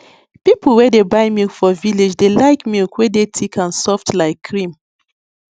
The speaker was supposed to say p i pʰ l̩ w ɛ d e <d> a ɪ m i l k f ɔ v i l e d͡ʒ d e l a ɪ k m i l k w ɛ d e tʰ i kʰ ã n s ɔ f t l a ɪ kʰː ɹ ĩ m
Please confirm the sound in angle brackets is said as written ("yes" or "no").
no